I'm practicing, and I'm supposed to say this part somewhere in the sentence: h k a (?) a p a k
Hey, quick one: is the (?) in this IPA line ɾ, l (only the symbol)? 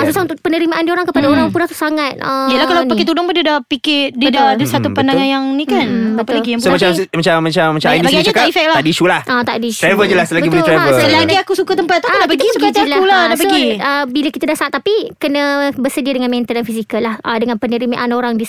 l